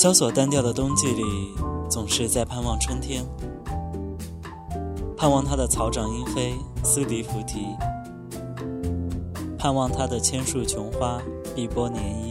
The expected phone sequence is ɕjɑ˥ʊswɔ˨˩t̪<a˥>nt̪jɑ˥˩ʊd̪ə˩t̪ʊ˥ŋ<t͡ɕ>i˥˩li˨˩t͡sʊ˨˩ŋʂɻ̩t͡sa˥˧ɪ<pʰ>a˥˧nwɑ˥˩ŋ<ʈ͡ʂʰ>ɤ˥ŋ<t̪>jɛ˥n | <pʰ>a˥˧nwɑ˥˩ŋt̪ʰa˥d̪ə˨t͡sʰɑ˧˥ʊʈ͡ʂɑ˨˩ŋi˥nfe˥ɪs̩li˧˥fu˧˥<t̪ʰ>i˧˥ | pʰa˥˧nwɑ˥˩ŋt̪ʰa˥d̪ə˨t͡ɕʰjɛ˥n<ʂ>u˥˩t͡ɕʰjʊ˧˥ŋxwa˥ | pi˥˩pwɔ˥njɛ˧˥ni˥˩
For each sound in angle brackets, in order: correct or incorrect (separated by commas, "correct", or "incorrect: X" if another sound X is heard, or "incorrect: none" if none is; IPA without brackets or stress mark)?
correct, correct, correct, correct, incorrect: t̪ʰ, correct, correct, correct